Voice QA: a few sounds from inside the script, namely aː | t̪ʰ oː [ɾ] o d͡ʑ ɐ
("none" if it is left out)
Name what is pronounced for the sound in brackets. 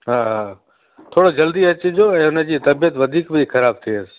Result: ɽ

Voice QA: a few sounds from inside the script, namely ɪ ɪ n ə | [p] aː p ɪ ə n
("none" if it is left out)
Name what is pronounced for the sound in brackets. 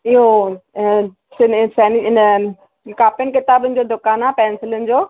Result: k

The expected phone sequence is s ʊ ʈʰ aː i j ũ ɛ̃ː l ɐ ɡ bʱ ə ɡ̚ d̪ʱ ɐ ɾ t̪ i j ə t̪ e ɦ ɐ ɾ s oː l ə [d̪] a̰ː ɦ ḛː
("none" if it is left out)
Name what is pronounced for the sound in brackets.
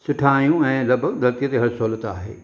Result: t̪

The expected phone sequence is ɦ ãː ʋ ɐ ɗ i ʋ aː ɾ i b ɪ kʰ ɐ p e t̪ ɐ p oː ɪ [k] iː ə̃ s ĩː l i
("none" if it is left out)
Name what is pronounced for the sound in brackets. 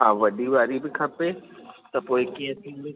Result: k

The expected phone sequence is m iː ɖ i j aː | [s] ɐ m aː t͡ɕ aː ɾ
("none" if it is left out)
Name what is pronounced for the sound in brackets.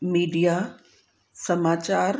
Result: s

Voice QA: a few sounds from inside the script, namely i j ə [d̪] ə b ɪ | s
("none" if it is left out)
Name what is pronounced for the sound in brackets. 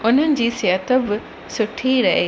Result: t̪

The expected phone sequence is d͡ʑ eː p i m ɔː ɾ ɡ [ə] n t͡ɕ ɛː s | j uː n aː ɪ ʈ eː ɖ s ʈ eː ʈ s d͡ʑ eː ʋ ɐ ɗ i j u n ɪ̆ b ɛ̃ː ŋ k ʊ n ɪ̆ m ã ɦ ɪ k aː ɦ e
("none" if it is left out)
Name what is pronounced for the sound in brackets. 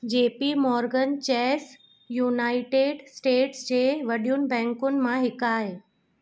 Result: ə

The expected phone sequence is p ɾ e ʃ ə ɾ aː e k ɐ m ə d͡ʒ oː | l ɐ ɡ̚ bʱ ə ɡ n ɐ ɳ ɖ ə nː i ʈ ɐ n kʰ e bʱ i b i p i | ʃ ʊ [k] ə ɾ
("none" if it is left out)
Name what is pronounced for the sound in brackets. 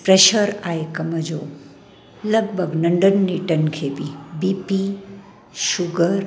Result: ɡ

